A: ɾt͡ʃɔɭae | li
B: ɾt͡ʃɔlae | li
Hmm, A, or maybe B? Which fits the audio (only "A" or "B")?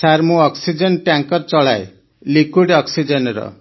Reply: A